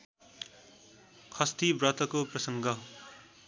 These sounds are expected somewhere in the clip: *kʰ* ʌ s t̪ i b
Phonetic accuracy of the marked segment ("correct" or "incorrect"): correct